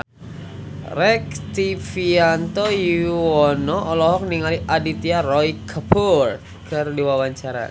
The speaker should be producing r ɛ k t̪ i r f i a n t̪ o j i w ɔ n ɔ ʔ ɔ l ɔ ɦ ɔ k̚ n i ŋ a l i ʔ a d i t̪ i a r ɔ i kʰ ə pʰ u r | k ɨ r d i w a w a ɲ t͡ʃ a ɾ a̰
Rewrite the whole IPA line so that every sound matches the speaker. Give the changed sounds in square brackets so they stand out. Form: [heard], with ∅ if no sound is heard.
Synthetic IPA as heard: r ɛ k t̪ i [∅] f i a n t̪ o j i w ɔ n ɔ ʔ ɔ l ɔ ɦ ɔ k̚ n i ŋ a l i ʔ a d i t̪ i a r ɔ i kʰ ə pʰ u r | k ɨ r d i w a w a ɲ t͡ʃ a ɾ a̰